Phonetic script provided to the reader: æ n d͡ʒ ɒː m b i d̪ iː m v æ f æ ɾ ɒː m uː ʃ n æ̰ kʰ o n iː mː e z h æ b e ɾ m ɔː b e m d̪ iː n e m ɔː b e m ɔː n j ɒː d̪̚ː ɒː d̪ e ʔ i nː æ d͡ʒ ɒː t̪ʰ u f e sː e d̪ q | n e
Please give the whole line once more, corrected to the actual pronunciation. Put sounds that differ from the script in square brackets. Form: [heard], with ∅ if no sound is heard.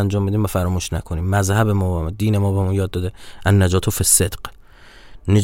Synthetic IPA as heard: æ n d͡ʒ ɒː m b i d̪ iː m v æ f æ ɾ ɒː m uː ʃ n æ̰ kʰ o n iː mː [æ] z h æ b e [∅] m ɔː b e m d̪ iː n e m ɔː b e m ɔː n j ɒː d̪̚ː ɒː d̪ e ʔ [æ] nː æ d͡ʒ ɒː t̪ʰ [o] f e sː e d̪ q | n e